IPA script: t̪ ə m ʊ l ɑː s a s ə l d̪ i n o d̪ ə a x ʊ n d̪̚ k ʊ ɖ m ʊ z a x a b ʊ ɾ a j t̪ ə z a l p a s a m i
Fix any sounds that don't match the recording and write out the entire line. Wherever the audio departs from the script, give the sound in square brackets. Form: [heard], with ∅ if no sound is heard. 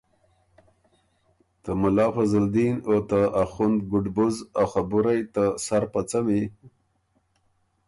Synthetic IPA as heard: t̪ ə m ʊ l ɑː [f] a [z] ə l d̪ i n o [t̪] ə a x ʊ n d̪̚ [ɡ] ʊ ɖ [b] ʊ z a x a b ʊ ɾ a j t̪ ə [s] a [ɾ] p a [t͡s] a m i